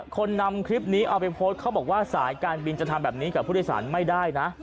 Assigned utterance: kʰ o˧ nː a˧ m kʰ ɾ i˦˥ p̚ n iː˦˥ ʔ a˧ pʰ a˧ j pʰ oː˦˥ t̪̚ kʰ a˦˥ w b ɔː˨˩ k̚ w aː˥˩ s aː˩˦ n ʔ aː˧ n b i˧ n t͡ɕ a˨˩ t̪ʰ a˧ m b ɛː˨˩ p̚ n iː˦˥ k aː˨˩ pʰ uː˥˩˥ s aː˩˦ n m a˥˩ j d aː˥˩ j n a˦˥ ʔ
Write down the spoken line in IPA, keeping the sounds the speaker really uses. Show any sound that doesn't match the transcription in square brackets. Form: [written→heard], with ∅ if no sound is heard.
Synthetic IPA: kʰ o˧ nː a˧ m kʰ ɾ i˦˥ p̚ n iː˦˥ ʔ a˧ [pʰ→p] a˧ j pʰ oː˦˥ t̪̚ kʰ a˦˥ w b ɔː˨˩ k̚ w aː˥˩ s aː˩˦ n [ʔ→k] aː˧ n b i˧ n t͡ɕ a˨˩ t̪ʰ a˧ m b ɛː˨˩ p̚ n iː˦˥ k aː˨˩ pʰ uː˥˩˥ s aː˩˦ n m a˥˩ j d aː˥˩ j n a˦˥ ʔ